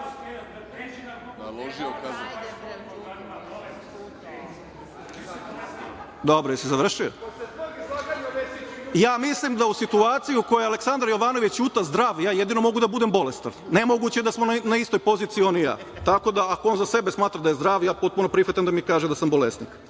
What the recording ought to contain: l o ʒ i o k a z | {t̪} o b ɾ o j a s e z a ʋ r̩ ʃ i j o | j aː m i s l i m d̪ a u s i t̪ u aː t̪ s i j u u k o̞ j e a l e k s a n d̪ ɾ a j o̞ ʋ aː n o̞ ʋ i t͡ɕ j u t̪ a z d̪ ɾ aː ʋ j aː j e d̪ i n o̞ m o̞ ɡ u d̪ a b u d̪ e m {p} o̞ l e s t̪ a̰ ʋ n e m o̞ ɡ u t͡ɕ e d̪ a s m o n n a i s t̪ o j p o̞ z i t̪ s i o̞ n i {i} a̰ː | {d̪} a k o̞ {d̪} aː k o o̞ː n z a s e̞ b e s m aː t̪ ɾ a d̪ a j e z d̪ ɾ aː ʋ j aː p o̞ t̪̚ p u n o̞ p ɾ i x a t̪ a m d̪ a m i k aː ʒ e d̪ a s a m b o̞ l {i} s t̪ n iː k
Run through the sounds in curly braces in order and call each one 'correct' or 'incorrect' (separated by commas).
incorrect, incorrect, incorrect, incorrect, correct, incorrect